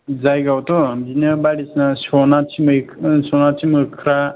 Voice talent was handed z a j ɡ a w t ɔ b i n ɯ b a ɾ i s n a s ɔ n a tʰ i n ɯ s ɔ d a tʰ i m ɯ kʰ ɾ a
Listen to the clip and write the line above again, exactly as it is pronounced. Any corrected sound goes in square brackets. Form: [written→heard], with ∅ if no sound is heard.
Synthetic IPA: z a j ɡ a w t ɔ b i n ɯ b a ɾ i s n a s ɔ n a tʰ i [n→m] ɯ s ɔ [d→n] a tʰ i m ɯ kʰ ɾ a